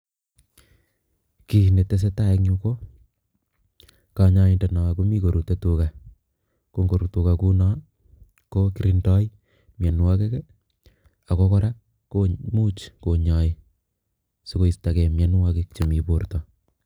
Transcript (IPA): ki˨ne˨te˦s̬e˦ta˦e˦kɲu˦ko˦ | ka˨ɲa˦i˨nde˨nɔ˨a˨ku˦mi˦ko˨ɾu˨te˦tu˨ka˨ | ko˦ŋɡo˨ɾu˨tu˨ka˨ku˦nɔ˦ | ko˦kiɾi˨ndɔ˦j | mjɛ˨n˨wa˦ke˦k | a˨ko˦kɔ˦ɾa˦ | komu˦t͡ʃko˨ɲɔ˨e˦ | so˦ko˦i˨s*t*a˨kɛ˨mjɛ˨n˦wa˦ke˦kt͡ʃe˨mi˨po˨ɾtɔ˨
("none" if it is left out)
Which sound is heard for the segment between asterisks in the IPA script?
t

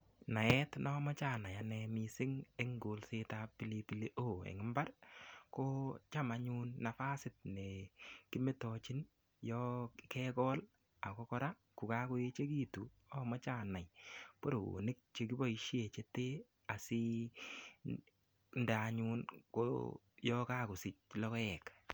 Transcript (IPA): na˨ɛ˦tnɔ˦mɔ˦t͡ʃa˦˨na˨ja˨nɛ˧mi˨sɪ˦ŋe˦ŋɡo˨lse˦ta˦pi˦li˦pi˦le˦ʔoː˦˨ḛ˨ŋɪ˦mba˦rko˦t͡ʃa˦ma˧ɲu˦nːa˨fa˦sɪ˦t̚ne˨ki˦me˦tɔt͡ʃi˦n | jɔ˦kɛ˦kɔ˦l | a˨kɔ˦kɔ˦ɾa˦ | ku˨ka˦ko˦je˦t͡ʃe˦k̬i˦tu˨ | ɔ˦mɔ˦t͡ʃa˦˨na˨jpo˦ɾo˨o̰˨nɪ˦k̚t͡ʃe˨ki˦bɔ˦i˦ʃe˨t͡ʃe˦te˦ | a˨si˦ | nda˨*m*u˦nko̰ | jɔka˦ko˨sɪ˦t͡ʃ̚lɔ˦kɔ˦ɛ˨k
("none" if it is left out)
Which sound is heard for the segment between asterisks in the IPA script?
ɲ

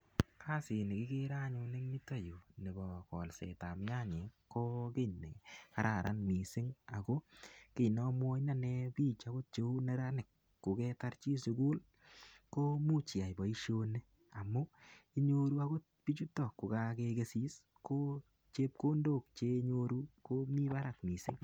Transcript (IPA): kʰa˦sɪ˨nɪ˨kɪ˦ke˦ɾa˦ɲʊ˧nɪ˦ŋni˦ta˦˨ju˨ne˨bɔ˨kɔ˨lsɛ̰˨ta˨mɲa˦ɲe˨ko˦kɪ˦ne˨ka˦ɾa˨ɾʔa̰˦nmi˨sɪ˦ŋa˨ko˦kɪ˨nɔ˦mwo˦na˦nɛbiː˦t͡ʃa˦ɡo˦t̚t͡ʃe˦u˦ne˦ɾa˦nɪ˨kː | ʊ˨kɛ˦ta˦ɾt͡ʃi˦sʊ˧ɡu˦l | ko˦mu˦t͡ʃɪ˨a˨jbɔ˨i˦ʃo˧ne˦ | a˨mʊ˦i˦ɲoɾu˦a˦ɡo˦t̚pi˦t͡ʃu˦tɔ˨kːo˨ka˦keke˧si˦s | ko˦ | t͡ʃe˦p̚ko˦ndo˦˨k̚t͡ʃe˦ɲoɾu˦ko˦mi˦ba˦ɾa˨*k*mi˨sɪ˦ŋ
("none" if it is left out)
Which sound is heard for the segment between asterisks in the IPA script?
k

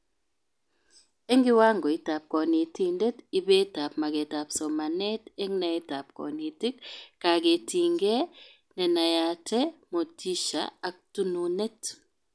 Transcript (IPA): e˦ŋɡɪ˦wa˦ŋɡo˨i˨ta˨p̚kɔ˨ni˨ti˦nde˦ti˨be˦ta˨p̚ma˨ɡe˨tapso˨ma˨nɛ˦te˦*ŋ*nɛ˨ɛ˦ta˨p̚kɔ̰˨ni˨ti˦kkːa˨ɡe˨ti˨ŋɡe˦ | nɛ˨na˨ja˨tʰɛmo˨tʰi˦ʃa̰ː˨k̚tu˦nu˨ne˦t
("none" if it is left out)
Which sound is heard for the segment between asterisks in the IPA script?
ŋ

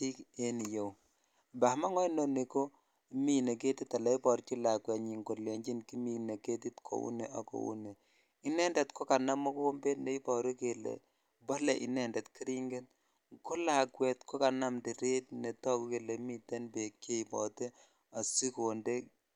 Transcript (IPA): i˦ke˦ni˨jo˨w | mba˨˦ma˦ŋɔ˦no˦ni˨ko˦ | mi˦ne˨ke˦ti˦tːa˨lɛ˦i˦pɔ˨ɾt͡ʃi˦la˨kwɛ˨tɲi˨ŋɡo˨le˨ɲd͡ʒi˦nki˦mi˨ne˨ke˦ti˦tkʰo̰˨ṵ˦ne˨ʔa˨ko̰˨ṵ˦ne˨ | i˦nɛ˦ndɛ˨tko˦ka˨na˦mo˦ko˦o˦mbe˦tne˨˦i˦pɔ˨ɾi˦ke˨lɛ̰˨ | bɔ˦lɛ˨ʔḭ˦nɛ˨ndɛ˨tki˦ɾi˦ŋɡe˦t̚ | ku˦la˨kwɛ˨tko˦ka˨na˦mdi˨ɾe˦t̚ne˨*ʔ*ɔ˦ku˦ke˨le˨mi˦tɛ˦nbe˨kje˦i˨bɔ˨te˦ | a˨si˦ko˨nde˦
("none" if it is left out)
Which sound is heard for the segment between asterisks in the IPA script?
t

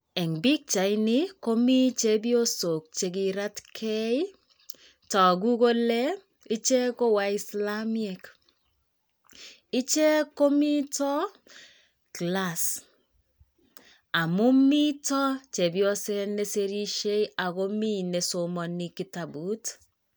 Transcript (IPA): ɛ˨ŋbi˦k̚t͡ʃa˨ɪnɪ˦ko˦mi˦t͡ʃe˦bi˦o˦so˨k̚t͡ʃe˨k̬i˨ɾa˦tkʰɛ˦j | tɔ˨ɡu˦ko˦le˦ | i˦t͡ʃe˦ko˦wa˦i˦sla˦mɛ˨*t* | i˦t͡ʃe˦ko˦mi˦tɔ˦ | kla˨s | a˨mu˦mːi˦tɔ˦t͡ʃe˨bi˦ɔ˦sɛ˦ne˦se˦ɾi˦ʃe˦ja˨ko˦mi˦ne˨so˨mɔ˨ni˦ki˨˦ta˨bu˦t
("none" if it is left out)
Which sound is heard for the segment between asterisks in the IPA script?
k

